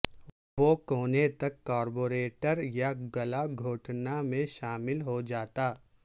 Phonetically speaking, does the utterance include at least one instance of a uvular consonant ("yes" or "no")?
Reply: no